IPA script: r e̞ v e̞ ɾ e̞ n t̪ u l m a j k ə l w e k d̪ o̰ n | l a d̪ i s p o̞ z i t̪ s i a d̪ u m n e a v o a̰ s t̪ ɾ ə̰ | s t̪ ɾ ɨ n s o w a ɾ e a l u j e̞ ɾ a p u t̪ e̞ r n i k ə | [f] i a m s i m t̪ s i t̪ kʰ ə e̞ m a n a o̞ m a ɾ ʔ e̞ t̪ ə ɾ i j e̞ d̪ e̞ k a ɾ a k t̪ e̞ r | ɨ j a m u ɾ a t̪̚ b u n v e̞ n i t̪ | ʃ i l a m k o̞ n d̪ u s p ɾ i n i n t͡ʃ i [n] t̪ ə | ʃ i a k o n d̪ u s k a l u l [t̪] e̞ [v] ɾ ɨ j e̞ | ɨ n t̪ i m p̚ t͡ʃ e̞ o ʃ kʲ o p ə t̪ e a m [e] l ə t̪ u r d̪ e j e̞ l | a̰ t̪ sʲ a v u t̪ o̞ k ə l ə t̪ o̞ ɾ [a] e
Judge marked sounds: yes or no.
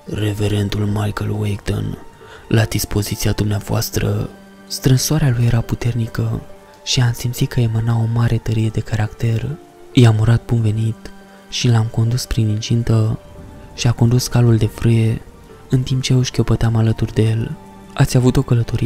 no, yes, no, no, no, no

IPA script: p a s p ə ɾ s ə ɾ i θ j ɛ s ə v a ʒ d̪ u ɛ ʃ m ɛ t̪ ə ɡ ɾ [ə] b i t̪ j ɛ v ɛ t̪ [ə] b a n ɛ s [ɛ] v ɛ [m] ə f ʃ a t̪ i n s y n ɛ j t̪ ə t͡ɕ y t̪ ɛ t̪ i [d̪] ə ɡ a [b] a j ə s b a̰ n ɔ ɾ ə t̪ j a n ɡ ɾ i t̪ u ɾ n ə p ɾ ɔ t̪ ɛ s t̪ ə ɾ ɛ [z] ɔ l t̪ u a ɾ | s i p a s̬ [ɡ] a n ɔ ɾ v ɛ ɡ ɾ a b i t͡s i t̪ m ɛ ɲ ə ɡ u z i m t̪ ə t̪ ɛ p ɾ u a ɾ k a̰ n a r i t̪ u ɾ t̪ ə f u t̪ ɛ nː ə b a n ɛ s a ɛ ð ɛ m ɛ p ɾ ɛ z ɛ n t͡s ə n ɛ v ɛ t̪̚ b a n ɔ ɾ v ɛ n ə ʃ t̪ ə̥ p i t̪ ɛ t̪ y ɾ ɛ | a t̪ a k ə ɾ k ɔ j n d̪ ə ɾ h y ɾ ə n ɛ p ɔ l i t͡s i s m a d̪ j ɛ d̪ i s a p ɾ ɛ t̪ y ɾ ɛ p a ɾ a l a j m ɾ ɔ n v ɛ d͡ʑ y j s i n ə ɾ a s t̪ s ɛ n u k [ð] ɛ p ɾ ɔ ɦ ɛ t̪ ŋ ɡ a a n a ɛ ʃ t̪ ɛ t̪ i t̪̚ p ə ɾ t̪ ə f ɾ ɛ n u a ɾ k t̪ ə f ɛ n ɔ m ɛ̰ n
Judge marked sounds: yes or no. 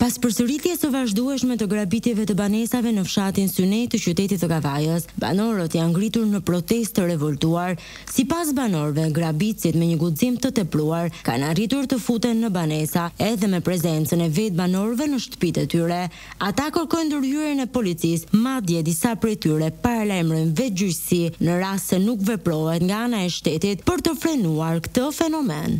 no, yes, no, no, no, no, no, no, no

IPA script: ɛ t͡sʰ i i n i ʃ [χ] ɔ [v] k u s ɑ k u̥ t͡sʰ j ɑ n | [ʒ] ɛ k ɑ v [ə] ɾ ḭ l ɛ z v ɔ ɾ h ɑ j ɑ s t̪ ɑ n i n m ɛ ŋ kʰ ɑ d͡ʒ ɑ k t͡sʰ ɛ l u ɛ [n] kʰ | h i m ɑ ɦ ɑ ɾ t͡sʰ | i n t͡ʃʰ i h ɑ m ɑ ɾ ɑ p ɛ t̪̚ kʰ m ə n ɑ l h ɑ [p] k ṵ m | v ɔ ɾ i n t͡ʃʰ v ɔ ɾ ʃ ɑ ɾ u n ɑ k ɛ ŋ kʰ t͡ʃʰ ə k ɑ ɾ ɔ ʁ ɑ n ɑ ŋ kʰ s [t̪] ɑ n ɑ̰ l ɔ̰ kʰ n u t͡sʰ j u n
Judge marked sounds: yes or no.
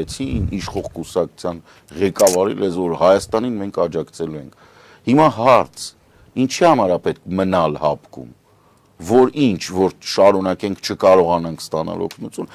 yes, no, no, no, no, yes, yes

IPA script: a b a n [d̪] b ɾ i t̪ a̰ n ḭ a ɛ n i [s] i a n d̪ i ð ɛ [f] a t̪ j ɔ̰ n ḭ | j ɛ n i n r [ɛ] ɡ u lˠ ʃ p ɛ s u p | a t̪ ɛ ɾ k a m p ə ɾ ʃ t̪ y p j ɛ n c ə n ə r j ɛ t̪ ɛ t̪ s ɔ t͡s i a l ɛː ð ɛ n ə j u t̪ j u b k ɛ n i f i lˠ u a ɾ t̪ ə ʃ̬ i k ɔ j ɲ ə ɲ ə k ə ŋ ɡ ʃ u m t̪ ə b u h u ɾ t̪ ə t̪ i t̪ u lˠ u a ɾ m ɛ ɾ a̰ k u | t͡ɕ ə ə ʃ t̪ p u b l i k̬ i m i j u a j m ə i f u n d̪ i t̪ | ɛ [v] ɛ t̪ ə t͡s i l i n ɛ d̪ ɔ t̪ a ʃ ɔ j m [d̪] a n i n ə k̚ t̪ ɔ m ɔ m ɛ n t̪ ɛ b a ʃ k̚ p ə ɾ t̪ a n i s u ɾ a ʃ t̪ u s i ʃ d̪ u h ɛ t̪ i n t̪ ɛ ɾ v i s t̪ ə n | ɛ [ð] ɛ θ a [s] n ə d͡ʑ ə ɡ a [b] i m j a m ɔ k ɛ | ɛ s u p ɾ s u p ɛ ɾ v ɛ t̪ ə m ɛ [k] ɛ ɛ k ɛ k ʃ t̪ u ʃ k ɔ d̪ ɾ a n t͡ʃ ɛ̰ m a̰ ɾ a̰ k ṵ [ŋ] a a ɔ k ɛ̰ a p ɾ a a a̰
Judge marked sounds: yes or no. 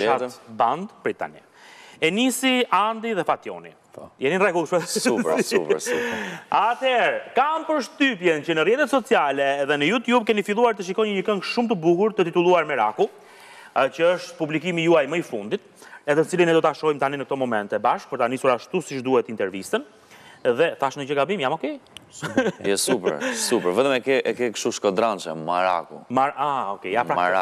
yes, yes, yes, yes, no, no, yes, no, yes, yes, no

